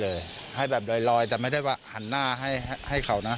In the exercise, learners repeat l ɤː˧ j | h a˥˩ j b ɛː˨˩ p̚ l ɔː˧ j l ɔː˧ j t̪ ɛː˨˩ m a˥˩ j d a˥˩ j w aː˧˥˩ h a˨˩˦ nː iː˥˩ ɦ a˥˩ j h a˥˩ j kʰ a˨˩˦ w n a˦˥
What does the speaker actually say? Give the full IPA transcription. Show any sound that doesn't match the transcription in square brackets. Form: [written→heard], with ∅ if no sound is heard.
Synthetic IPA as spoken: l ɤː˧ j | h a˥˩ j b ɛː˨˩ p̚ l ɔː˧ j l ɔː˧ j t̪ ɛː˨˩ m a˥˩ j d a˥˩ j w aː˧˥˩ h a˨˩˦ nː [iː˥˩→aː˥˩] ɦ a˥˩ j h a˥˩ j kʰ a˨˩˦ w n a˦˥